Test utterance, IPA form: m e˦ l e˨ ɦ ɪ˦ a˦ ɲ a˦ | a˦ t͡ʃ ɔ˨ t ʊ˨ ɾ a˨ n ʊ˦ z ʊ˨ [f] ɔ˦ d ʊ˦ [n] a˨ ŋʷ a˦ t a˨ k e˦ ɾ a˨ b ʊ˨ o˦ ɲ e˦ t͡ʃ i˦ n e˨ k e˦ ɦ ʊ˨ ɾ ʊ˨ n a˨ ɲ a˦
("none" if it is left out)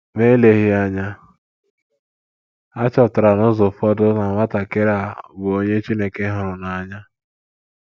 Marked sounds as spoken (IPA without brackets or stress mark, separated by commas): f, n